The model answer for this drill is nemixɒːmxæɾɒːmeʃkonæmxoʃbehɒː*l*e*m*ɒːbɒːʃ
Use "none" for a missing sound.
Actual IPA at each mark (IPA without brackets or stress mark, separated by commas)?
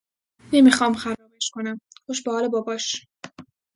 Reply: l, b